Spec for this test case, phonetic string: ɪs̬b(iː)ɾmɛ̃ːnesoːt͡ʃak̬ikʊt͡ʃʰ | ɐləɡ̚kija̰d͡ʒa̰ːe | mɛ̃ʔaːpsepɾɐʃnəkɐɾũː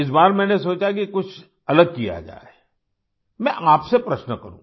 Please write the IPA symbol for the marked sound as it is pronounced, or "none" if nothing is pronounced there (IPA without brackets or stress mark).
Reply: aː